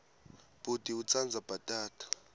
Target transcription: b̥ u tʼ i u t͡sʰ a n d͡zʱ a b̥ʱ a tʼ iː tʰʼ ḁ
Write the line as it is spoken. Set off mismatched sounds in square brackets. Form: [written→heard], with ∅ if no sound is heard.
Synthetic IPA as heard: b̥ u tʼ i u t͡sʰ a n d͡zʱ a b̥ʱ a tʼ [iː→aː] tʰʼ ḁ